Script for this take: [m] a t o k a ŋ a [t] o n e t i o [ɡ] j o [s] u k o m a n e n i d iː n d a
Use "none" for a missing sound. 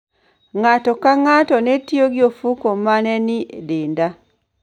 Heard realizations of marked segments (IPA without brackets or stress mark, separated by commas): ŋ, t, ɡ, f